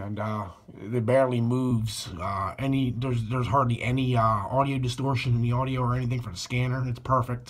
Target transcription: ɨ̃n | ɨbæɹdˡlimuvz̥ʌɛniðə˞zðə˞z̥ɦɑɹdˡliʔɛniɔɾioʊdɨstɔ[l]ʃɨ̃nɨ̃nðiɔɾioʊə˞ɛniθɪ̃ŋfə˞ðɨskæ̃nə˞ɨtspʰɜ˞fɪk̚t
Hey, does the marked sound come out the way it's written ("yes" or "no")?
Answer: no